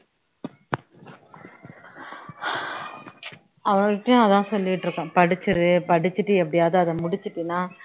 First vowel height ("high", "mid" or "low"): low